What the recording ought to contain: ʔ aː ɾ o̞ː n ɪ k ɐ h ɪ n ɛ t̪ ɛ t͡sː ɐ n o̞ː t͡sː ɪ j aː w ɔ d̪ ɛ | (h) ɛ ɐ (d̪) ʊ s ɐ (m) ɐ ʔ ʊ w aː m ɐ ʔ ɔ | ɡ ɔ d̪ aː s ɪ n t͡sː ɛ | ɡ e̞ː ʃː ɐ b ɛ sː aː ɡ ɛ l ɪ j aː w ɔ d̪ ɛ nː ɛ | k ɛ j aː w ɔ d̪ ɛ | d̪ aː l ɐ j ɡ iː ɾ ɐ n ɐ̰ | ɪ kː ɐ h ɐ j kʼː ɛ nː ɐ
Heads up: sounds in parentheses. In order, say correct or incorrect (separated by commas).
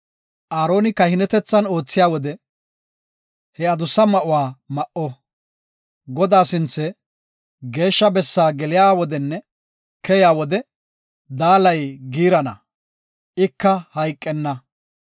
correct, correct, correct